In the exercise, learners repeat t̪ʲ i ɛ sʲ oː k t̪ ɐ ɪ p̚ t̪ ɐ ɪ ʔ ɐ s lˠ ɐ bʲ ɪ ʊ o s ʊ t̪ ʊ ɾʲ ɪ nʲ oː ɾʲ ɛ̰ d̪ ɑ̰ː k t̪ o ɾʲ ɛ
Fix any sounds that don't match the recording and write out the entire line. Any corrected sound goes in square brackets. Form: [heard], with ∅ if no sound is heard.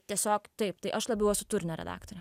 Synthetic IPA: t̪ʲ i ɛ sʲ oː k t̪ ɐ ɪ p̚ t̪ ɐ ɪ ʔ ɐ [ʃ] lˠ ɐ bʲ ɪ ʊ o s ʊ t̪ ʊ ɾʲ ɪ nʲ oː ɾʲ ɛ̰ d̪ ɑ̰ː k t̪ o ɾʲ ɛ